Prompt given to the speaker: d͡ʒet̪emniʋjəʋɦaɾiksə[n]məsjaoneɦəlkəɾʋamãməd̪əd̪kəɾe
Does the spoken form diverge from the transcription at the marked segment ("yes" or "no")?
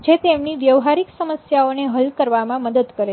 yes